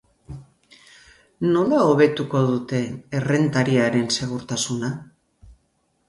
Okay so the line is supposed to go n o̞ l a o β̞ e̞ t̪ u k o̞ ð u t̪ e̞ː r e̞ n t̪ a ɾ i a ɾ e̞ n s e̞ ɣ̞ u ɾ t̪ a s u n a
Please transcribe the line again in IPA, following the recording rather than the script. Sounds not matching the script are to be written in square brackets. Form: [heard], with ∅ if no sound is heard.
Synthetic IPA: n o̞ l a o β̞ e̞ t̪ u k o̞ ð u t̪ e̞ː r e̞ n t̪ a ɾ i a ɾ e̞ n s e̞ ɣ̞ u ɾ t̪ a s u n a